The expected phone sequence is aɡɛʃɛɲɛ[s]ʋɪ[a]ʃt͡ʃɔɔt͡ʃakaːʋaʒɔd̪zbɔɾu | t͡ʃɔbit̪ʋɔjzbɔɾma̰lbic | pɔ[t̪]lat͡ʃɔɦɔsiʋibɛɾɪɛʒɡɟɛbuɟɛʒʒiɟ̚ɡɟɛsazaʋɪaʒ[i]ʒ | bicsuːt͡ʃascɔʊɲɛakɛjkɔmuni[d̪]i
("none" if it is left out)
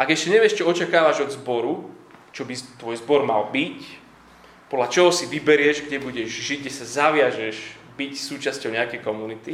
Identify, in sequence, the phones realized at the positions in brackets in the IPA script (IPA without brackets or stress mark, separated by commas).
none, ɛ, d̪, ɛ, t̪